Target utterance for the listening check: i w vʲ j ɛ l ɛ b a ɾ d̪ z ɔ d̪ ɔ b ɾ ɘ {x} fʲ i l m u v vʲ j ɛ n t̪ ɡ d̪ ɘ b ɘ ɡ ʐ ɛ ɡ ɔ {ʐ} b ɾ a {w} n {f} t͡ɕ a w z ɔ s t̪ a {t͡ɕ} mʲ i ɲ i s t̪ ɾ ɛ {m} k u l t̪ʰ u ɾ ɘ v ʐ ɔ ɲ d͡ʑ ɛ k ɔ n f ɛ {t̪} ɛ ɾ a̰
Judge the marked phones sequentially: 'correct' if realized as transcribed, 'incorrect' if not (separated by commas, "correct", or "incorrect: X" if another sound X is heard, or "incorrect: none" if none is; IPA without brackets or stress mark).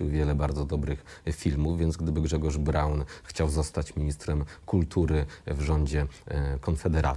correct, correct, correct, incorrect: x, correct, correct, incorrect: d̪